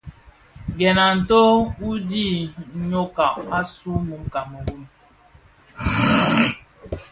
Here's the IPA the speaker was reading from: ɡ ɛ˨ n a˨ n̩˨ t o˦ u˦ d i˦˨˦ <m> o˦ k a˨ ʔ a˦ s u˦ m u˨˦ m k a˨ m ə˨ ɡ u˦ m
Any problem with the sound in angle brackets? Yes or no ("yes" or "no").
yes